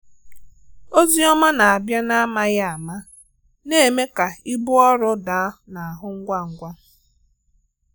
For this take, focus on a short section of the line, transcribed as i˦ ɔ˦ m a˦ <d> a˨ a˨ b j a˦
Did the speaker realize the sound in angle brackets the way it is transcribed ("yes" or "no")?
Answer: no